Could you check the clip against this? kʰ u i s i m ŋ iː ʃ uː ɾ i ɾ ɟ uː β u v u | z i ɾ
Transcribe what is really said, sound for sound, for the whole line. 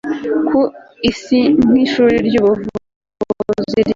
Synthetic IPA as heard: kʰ u i s i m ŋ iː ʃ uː ɾ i ɾ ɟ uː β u v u | z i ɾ